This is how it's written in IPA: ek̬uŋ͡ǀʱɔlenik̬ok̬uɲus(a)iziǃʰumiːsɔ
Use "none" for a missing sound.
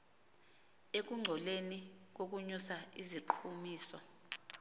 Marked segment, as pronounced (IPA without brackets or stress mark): a